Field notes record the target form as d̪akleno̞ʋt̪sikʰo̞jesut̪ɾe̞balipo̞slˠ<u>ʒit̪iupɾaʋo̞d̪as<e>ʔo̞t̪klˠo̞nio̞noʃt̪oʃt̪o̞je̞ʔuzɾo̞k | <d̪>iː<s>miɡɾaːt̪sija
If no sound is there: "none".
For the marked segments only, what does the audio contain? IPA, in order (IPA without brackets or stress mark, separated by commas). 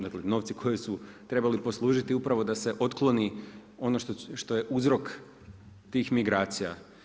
uː, e, t̪, x